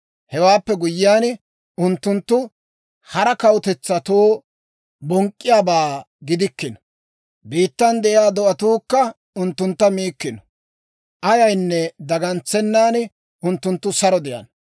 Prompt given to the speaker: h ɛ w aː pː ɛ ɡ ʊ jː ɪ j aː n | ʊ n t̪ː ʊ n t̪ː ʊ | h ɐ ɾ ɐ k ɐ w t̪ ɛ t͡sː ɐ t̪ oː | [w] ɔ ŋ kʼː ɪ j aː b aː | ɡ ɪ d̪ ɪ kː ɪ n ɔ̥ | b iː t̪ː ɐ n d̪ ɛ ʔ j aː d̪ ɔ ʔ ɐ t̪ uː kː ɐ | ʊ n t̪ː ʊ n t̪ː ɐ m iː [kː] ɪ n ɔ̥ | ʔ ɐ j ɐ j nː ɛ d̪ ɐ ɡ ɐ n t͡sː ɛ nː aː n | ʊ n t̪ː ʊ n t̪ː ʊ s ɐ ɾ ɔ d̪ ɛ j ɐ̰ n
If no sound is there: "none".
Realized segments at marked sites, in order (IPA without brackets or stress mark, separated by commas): b, kː